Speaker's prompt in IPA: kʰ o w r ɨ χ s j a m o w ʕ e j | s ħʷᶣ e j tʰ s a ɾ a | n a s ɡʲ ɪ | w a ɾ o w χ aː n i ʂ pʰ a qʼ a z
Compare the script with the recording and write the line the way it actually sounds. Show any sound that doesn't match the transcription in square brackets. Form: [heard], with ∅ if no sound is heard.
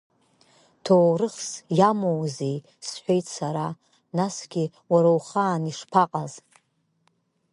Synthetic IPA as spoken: [tʰ] o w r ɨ χ s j a m o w [z] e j | s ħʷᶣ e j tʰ s a ɾ a | n a s ɡʲ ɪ | w a ɾ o w χ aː n i ʂ pʰ a qʼ a z